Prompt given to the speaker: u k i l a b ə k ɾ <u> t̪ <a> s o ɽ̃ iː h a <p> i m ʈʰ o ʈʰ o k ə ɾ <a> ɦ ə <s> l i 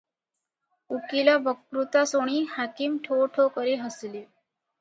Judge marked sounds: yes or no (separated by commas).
yes, yes, no, no, yes